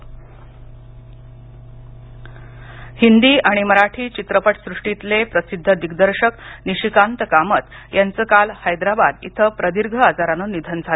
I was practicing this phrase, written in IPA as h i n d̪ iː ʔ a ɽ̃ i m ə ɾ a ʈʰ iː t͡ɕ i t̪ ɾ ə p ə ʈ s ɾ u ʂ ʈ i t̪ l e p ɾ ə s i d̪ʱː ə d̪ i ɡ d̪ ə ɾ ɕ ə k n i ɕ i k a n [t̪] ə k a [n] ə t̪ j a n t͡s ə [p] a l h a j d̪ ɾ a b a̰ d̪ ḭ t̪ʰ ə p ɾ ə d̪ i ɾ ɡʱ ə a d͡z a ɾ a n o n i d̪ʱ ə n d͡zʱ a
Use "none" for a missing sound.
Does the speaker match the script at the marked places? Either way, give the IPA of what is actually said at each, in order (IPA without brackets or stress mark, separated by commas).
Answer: t̪, m, k